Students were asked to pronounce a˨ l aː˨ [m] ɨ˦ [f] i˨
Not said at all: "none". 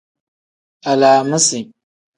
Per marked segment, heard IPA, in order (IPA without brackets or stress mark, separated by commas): m, s